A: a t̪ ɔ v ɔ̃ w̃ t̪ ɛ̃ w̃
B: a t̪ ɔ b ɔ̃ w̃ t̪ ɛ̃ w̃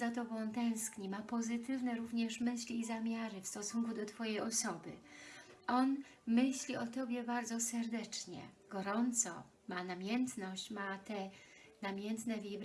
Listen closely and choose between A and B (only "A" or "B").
B